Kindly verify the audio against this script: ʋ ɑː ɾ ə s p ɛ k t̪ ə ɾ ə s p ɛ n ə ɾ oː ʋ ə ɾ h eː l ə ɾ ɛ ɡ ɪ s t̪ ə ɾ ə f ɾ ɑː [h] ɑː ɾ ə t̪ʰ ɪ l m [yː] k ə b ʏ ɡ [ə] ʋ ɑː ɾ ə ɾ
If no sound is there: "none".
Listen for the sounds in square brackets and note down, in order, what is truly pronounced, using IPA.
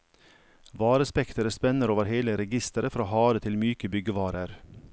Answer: h, yː, ə

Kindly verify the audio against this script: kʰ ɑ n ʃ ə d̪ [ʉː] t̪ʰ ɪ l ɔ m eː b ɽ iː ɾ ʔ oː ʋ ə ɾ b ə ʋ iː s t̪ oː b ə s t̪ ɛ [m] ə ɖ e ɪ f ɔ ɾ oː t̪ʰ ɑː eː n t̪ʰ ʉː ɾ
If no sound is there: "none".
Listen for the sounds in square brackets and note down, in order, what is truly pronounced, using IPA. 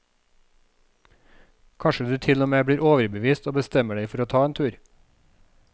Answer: ʉː, m

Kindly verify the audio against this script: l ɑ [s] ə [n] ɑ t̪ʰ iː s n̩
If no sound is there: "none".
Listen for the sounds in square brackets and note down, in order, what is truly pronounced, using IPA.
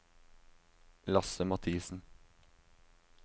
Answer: s, m

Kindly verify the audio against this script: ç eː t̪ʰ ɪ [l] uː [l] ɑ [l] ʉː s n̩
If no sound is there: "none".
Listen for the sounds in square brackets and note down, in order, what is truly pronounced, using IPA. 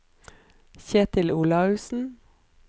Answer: l, l, none

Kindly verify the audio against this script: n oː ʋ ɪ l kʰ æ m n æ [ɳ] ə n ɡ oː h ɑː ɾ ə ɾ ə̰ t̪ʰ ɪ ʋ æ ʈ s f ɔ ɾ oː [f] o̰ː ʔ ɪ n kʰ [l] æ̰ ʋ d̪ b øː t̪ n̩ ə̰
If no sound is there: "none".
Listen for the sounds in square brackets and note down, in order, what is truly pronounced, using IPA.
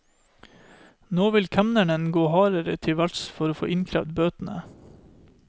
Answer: ɳ, f, ɾ

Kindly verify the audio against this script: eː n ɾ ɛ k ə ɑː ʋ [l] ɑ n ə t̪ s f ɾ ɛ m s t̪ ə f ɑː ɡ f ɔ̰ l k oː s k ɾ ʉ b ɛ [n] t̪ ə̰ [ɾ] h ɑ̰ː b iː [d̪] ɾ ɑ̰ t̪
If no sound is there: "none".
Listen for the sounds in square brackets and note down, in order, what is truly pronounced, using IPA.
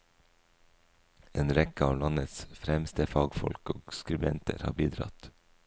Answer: l, n, ɾ, d̪

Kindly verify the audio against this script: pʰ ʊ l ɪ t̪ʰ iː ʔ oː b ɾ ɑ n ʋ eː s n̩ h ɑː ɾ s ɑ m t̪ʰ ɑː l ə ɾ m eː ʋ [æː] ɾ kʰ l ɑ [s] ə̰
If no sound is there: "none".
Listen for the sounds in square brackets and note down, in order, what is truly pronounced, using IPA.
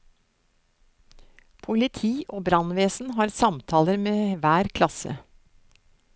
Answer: æː, s

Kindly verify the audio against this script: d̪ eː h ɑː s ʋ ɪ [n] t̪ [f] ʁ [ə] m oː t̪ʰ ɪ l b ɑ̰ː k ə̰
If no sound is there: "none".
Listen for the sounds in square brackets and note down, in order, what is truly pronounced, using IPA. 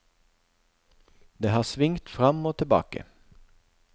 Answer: ŋ, f, ɑ

